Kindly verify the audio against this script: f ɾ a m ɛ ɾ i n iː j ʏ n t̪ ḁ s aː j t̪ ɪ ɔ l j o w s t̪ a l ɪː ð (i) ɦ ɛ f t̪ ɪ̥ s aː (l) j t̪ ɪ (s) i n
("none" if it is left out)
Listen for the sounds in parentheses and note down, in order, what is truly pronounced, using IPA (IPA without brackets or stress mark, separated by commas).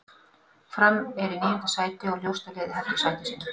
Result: ɪ, none, s